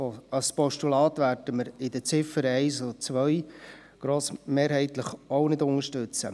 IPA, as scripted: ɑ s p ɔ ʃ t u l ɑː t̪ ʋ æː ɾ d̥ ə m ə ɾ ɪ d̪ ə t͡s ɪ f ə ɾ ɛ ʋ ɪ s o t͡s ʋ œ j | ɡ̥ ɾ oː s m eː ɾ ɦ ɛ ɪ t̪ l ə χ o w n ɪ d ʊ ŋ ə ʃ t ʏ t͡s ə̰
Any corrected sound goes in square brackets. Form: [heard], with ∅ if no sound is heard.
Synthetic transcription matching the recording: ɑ s p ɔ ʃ t u l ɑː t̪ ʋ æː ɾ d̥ ə m ə ɾ ɪ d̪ ə t͡s ɪ f ə ɾ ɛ [∅] ɪ s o t͡s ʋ œ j | ɡ̥ ɾ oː s m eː ɾ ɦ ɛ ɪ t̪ l ə χ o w n ɪ d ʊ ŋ ə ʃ t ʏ t͡s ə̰